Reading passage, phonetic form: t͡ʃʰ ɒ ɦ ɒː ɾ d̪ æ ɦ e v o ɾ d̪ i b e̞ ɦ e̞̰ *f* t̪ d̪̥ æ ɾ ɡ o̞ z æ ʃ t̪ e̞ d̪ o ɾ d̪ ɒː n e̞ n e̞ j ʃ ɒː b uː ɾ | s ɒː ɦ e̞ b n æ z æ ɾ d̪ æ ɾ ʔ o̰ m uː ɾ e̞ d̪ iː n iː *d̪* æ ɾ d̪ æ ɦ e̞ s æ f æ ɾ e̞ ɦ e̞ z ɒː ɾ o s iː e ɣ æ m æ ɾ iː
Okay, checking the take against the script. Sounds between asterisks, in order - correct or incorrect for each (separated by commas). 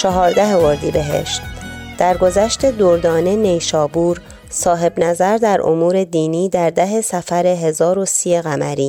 incorrect, correct